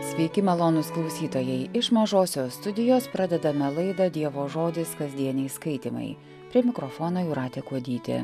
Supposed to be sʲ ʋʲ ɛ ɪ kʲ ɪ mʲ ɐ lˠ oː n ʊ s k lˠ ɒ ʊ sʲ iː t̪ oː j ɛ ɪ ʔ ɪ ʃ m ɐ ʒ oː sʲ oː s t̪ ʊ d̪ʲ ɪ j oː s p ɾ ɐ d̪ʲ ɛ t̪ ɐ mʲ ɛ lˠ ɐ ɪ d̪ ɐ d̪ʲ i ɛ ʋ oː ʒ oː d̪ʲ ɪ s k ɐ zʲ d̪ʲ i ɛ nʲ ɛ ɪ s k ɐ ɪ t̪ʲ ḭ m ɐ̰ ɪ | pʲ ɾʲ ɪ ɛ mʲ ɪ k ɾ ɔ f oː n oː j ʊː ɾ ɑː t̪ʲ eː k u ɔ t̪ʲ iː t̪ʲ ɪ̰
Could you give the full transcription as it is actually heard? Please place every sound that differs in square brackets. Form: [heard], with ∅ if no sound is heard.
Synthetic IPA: sʲ ʋʲ ɛ ɪ kʲ ɪ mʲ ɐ lˠ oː n ʊ s k lˠ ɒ ʊ sʲ iː t̪ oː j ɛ ɪ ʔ ɪ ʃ m ɐ ʒ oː sʲ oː s t̪ ʊ d̪ʲ ɪ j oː s p ɾ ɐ d̪ʲ ɛ [d̪] ɐ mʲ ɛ lˠ ɐ ɪ d̪ ɐ d̪ʲ i ɛ ʋ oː ʒ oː d̪ʲ ɪ s k ɐ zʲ d̪ʲ i ɛ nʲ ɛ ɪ s k ɐ ɪ t̪ʲ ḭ m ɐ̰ ɪ | pʲ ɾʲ [i] ɛ mʲ ɪ k ɾ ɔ f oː n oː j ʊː ɾ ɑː t̪ʲ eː k u ɔ [d̪ʲ] iː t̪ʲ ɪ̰